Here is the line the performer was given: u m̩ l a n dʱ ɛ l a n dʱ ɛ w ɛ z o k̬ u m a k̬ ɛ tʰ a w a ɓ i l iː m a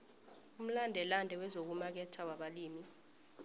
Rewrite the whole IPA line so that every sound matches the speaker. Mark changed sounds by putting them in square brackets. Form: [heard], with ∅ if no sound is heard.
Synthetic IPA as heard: u m̩ l a n dʱ ɛ l a n dʱ ɛ w ɛ z o k̬ u m a k̬ ɛ tʰ a w a ɓ [a] l iː m [i]